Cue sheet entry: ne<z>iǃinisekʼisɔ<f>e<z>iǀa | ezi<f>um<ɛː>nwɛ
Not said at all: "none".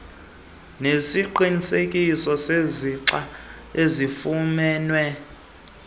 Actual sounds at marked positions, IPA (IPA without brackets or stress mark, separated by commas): s, s, z, f, ɛː